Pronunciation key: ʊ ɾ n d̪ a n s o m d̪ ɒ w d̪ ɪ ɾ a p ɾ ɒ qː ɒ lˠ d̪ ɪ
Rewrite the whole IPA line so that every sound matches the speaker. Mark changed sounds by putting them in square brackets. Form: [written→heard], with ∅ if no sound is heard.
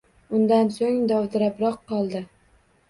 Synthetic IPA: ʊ [ɾ→∅] n d̪ a n s o [m→ŋ] d̪ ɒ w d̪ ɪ ɾ a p ɾ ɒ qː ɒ lˠ d̪ ɪ

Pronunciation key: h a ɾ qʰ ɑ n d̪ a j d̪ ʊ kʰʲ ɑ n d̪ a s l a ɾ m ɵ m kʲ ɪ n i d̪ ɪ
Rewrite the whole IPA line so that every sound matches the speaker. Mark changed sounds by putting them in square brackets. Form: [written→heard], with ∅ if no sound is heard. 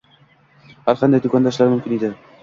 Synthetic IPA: h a ɾ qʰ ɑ n d̪ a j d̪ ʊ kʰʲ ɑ n d̪ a [s→ʃ] l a ɾ m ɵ m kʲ ɪ n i d̪ ɪ

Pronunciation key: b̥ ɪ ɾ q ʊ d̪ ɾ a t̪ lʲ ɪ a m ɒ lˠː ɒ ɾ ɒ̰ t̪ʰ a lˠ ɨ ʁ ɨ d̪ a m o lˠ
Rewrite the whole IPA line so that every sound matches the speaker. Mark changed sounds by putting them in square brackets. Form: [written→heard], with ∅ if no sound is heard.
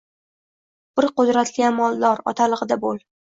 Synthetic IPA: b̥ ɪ ɾ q ʊ d̪ ɾ a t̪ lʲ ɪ a m ɒ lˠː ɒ ɾ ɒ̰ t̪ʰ a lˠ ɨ ʁ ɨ d̪ a [m→b] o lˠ

